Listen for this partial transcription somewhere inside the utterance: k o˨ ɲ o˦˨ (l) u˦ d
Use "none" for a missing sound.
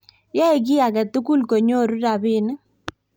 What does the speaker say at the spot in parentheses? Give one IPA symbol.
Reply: ɾ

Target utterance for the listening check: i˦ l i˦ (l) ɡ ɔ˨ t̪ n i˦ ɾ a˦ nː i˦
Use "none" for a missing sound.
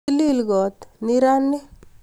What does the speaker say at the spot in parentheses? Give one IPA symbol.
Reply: l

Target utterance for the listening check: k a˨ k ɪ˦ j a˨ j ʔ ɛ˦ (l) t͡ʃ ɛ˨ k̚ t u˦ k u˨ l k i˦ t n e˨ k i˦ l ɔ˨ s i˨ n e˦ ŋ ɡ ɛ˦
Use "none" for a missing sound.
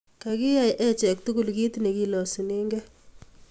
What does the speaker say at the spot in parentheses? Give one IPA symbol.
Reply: none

